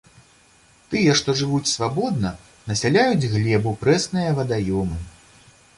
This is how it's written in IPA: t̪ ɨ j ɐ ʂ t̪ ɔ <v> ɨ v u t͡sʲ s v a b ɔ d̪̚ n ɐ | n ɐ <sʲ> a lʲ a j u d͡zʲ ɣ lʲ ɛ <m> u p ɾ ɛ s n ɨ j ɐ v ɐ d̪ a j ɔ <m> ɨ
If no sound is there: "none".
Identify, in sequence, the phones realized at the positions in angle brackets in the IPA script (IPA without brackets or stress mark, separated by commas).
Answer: ʐ, sʲ, b, m